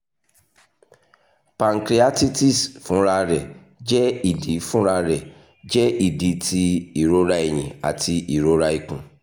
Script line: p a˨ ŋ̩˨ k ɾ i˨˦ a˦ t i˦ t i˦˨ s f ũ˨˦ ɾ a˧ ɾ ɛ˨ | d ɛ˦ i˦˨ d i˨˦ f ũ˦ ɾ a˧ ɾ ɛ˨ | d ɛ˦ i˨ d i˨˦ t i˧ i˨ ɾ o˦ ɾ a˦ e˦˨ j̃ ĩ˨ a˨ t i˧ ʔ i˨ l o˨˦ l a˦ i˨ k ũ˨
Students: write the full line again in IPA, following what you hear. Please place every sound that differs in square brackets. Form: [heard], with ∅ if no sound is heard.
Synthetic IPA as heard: p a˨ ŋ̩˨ k ɾ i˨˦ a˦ t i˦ t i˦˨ s f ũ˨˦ ɾ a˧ ɾ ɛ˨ | [d͡ʒ] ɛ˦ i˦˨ d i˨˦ f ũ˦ ɾ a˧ ɾ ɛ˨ | [d͡ʒ] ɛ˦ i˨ d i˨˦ t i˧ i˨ ɾ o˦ ɾ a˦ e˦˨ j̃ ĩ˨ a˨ t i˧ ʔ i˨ [ɾ] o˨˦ [ɾ] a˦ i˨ k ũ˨